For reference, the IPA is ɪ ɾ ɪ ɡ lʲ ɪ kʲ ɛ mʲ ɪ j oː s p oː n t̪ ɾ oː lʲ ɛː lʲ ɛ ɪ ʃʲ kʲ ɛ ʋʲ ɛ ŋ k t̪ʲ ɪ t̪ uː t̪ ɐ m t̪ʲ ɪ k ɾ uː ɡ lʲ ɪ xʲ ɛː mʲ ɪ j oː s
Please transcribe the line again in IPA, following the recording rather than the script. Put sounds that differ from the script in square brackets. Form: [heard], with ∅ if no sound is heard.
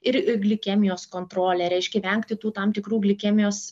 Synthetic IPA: ɪ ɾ ɪ ɡ lʲ ɪ kʲ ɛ mʲ ɪ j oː s [k] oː n t̪ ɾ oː lʲ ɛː [ɾʲ] ɛ ɪ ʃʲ kʲ ɛ ʋʲ ɛ ŋ k t̪ʲ ɪ t̪ uː t̪ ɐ m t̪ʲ ɪ k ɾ uː ɡ lʲ ɪ [kʲ] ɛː mʲ ɪ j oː s